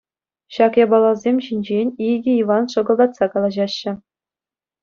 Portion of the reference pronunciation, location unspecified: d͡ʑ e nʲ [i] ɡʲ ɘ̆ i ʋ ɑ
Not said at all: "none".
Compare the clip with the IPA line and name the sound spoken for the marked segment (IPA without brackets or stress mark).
i